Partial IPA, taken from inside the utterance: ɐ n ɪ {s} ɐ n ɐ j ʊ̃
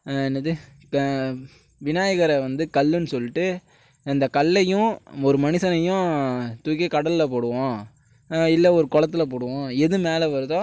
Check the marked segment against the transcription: correct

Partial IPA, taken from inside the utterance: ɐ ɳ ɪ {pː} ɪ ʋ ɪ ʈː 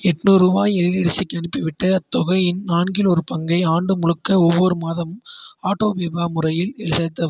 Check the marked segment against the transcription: correct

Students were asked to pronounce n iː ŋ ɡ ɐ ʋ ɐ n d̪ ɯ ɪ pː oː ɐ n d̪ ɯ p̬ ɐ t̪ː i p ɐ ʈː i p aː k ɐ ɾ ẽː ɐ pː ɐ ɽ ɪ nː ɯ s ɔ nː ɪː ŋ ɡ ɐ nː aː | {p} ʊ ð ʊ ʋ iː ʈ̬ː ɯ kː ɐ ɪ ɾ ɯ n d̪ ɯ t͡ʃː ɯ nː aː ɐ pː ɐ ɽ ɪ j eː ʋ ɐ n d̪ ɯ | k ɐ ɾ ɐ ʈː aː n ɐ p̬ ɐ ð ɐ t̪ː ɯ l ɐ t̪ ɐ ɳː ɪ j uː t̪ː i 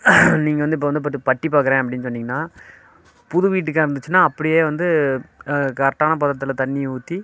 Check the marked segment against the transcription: correct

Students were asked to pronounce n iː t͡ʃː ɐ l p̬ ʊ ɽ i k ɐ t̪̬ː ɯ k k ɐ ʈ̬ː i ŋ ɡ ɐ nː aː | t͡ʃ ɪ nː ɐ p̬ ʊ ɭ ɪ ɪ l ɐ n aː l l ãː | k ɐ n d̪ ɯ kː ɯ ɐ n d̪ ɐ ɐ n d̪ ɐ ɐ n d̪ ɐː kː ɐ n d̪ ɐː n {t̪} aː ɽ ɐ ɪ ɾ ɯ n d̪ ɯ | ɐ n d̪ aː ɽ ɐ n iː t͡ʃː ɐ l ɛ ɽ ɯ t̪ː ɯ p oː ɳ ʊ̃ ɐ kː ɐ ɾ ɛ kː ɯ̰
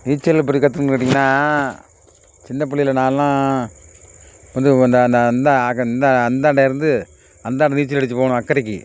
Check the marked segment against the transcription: incorrect: d̪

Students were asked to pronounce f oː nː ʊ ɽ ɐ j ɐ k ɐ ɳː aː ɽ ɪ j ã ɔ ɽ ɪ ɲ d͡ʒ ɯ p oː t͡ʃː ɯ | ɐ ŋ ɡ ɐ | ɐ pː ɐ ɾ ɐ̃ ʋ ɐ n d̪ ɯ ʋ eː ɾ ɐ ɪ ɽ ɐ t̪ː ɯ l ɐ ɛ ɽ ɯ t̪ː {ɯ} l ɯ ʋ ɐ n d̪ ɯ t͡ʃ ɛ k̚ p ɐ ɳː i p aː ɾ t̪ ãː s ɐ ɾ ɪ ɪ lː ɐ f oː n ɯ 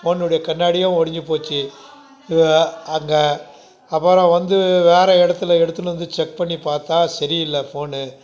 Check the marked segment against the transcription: correct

